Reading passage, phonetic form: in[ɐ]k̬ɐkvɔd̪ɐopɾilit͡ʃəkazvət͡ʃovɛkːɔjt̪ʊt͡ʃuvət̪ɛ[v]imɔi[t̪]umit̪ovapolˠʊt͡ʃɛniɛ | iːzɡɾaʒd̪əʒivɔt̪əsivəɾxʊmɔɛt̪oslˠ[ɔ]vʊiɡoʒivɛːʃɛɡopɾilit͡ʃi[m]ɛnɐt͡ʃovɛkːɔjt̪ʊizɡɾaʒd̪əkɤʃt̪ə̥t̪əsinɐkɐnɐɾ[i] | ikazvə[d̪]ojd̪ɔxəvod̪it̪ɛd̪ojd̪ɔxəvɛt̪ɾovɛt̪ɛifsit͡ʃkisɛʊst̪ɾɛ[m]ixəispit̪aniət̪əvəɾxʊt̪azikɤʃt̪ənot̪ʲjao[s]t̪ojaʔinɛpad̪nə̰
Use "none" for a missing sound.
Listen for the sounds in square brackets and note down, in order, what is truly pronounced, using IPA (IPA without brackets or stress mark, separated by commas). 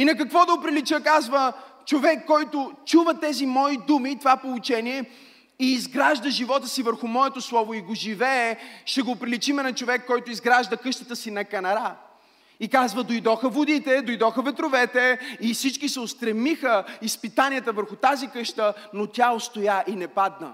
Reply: ɐ, z, d̪, ɔ, m, a, d̪, m, s